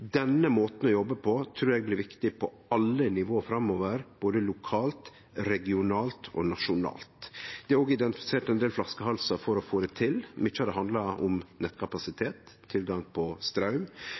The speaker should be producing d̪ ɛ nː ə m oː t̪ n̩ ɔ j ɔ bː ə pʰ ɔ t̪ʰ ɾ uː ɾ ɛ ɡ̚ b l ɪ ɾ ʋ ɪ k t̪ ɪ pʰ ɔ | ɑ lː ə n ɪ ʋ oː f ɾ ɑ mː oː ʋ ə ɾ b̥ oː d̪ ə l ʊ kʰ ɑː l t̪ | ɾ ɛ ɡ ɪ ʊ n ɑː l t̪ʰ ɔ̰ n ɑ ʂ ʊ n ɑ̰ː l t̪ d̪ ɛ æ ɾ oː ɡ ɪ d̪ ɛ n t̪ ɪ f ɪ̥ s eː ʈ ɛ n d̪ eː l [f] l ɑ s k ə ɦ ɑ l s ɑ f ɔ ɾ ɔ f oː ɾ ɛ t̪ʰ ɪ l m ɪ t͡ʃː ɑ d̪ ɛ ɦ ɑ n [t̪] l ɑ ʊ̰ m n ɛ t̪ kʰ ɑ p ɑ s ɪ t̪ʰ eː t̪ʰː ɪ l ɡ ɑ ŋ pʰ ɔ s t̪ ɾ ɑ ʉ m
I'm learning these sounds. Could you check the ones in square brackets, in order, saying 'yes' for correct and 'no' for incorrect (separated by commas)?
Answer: yes, no